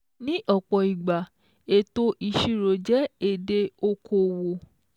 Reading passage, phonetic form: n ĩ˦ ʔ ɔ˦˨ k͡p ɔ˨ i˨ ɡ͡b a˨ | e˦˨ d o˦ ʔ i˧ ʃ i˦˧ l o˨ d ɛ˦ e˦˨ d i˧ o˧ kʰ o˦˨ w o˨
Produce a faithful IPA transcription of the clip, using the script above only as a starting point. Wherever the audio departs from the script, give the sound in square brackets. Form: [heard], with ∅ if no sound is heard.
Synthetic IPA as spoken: n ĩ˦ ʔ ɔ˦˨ k͡p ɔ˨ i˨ ɡ͡b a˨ | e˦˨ [t] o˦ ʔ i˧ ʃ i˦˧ [ɾ] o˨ [d͡ʒ] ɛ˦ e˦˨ d [e˧] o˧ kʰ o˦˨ w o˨